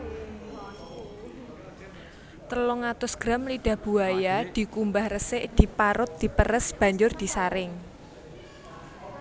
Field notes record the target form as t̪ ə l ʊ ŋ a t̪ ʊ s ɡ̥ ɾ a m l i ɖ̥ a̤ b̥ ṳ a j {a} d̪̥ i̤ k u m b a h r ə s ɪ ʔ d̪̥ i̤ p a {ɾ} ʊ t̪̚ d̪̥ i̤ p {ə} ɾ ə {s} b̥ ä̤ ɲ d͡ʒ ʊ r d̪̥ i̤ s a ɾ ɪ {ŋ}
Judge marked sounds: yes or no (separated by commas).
yes, yes, yes, yes, yes